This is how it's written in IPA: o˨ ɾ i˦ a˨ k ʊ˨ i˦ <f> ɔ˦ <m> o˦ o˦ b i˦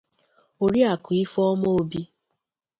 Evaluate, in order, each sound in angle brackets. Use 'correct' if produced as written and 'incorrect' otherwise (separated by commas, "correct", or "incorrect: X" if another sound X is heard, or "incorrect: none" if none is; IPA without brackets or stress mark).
correct, correct